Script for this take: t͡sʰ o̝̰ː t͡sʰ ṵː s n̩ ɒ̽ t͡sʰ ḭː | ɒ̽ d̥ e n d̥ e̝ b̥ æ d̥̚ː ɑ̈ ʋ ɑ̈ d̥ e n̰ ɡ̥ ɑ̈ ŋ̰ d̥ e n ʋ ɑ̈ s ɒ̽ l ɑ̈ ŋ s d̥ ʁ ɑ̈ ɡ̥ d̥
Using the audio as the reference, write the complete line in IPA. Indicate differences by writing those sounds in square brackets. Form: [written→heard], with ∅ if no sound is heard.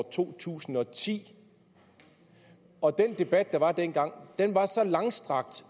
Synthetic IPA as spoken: t͡sʰ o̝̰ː t͡sʰ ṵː s n̩ ɒ̽ t͡sʰ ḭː | ɒ̽ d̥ e n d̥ e̝ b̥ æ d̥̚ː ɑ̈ ʋ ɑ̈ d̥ e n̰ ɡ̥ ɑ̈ ŋ̰ d̥ e n ʋ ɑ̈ s ɒ̽ l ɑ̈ ŋ s d̥ ʁ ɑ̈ ɡ̥ d̥